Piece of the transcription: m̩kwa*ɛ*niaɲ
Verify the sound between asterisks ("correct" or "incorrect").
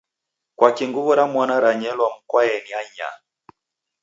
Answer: correct